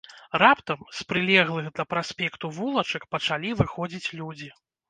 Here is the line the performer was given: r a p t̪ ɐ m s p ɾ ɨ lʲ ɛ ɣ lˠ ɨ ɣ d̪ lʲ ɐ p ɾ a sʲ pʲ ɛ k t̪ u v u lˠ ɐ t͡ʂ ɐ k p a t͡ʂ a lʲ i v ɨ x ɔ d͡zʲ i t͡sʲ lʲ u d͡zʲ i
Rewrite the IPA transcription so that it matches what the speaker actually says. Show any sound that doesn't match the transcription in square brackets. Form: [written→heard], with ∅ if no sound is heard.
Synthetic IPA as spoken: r a p t̪ ɐ m s p ɾ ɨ lʲ ɛ ɣ lˠ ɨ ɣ d̪ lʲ ɐ p ɾ a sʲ pʲ ɛ k t̪ u v u lˠ ɐ t͡ʂ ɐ k p [a→ɐ] t͡ʂ a lʲ i v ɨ x ɔ d͡zʲ i t͡sʲ lʲ u d͡zʲ i

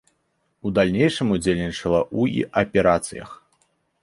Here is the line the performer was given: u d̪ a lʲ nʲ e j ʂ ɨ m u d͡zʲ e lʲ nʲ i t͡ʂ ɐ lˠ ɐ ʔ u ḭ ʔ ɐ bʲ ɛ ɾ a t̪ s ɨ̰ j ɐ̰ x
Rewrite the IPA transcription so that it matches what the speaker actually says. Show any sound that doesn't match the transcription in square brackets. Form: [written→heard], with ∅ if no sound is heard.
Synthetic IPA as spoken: u d̪ a lʲ nʲ e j ʂ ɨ m u d͡zʲ e lʲ nʲ i t͡ʂ ɐ lˠ ɐ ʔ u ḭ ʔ ɐ [bʲ→pʲ] ɛ ɾ a t̪ s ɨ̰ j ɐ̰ x

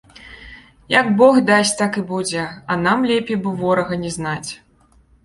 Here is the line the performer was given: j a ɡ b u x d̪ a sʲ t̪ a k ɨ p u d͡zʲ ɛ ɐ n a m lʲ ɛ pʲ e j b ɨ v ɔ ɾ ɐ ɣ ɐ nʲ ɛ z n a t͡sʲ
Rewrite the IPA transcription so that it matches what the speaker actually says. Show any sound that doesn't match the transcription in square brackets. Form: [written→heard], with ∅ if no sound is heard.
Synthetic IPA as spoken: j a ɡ b [u→ɔ] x d̪ a sʲ t̪ a k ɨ [p→b] u d͡zʲ ɛ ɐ n a m lʲ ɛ pʲ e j b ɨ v ɔ ɾ ɐ ɣ ɐ nʲ ɛ z n a t͡sʲ

